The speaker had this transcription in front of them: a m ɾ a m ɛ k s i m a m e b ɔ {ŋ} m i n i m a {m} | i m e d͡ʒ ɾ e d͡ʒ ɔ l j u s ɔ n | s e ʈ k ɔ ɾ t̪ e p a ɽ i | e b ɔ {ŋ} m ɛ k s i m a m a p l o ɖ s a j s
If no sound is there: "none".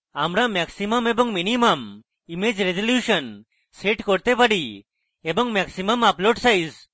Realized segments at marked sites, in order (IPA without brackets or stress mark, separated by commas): ŋ, m, ŋ